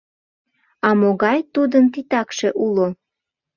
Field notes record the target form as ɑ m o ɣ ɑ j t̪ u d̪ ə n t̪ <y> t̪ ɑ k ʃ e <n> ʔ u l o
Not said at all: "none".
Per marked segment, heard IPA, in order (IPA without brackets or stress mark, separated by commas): i, none